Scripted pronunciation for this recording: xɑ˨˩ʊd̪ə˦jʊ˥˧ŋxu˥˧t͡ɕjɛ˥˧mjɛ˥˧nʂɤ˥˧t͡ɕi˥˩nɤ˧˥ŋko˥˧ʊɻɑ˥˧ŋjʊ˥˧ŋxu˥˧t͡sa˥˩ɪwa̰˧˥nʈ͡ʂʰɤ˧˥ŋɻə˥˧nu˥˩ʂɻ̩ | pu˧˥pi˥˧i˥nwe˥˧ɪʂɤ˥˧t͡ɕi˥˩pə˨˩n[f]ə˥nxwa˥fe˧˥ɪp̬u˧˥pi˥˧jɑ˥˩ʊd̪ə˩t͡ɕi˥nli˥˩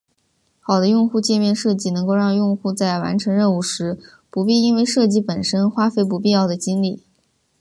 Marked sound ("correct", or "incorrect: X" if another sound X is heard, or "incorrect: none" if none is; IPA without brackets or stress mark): incorrect: ʂ